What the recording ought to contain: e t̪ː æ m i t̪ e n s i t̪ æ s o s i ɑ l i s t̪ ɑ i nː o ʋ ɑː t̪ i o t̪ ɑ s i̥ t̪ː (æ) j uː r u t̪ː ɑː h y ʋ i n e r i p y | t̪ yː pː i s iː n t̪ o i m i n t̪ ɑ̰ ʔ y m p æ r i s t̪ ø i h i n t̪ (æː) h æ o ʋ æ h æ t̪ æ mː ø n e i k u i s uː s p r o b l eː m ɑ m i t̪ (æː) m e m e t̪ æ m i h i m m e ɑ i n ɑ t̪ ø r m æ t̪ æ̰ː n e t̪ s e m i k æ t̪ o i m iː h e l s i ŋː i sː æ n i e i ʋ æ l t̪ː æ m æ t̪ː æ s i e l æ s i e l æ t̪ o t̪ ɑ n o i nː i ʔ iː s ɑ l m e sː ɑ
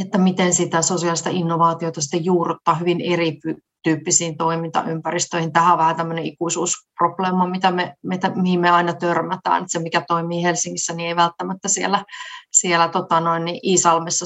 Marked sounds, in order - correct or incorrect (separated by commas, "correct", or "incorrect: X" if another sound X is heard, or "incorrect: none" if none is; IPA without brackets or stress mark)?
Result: incorrect: e, incorrect: æ, incorrect: æ